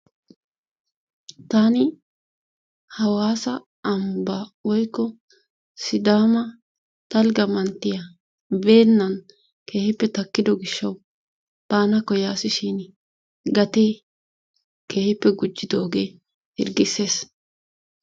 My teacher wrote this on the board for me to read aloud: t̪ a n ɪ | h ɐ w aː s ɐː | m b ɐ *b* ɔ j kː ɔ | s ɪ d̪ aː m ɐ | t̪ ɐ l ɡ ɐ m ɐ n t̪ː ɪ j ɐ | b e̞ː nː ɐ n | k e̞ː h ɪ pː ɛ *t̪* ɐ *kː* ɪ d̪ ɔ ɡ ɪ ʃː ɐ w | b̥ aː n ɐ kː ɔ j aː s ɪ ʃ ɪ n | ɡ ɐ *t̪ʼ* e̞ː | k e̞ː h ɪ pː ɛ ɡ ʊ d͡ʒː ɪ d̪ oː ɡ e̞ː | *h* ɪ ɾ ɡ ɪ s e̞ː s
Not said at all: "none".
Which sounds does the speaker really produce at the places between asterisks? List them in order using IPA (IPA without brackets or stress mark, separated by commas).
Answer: w, t̪, kː, t̪, h